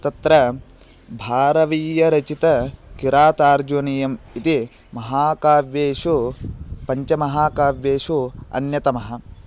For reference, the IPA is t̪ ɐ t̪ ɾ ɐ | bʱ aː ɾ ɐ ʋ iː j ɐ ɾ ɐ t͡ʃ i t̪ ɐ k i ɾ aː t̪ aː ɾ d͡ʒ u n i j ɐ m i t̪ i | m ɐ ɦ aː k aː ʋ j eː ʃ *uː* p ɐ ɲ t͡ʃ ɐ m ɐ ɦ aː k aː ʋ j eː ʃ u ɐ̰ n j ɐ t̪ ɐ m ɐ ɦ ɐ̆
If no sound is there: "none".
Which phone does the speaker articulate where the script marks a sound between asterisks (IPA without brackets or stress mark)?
u